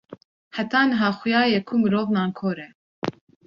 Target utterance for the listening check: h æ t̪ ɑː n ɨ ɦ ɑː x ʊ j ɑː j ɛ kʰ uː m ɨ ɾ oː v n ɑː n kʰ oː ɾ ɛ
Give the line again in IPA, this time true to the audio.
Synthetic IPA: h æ t̪ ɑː n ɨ ɦ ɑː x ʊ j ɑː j ɛ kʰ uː m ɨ ɾ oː v n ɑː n kʰ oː ɾ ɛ